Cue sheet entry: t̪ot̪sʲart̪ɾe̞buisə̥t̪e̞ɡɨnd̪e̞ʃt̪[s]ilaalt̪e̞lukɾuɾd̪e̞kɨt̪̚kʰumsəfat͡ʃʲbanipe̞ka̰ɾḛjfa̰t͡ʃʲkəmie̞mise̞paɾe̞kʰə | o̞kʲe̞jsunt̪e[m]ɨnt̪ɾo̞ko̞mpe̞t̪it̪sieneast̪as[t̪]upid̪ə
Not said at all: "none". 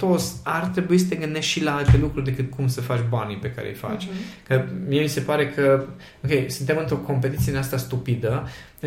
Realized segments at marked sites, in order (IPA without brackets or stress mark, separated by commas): ʃ, m, t̪